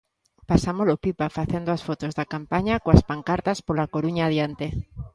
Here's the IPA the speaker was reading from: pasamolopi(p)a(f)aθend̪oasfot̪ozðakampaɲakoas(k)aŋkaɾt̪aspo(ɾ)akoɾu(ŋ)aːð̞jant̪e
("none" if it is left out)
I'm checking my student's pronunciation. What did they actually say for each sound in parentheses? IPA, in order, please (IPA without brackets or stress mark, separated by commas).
p, f, p, l, ɲ